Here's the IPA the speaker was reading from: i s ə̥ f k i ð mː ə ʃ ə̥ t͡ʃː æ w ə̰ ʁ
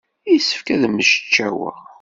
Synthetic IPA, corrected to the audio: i s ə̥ f k æ ð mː ə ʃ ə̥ t͡ʃː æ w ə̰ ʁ